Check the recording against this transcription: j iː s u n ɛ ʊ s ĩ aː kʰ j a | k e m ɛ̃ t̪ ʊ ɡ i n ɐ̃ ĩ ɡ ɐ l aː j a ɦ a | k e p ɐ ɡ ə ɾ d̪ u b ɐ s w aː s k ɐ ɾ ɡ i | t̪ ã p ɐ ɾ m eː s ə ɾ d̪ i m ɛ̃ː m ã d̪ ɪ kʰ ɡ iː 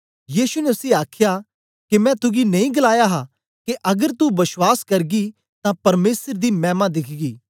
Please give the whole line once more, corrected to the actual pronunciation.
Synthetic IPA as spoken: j iː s u n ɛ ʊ s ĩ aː kʰ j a | k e m ɛ̃ t̪ ʊ ɡ i n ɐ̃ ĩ ɡ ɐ l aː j a ɦ a | k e ʔ ɐ ɡ ə ɾ t̪ u b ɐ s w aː s k ɐ ɾ ɡ i | t̪ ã p ɐ ɾ m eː s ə ɾ d̪ i m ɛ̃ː m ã d̪ ɪ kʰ ɡ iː

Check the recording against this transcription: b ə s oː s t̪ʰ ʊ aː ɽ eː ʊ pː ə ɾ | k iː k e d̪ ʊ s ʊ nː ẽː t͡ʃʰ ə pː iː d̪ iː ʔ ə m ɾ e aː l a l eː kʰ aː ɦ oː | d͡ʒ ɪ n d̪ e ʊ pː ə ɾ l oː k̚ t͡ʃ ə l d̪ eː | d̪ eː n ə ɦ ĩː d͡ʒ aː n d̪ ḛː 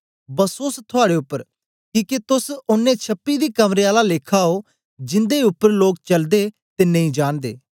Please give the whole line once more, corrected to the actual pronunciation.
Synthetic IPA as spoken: b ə s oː s t̪ʰ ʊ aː ɽ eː ʊ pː ə ɾ | k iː k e t̪ ʊ s ʊ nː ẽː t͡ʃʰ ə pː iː d̪ iː k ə m ɾ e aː l a l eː kʰ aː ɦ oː | d͡ʒ ɪ n d̪ e ʊ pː ə ɾ l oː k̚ t͡ʃ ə l d̪ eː | t̪ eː n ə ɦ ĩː d͡ʒ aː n d̪ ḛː

